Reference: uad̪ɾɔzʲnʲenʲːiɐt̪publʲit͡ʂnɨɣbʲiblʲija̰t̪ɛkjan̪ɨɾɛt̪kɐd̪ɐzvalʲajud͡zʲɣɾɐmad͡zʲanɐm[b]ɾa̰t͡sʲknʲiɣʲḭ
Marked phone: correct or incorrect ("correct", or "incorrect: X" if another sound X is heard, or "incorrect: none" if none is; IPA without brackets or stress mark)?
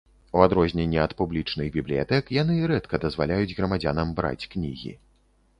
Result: correct